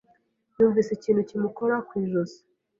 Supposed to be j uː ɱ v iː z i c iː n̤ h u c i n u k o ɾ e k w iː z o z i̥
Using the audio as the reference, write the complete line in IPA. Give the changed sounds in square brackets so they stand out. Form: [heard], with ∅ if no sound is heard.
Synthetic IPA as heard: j uː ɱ v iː [s] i c iː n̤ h u c i [m] u k o ɾ [a] k w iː [ʒ] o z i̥